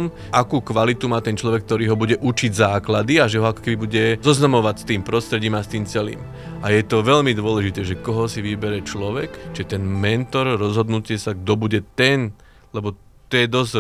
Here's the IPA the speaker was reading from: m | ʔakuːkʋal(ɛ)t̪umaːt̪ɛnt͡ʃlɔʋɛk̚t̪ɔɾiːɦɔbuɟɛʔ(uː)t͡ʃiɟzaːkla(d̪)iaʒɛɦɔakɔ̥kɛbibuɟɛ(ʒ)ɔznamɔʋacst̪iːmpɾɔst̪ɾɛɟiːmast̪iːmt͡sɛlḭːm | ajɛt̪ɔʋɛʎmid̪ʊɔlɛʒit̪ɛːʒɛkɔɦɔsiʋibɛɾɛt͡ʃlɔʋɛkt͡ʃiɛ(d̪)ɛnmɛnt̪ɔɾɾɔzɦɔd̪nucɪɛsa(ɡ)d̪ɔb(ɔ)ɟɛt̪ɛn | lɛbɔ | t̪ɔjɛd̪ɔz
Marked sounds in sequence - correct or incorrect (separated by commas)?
incorrect, incorrect, correct, incorrect, incorrect, correct, incorrect